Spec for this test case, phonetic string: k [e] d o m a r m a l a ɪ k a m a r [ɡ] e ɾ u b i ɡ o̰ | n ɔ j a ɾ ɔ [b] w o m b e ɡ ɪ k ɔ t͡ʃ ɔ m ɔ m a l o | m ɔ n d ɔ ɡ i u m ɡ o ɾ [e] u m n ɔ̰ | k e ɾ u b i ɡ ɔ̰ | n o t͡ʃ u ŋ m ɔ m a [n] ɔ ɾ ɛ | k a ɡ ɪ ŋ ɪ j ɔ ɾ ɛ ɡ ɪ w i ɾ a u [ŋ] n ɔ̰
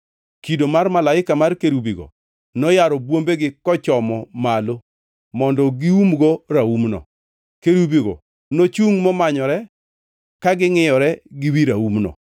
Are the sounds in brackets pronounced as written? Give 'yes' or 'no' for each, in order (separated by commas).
no, no, yes, no, no, no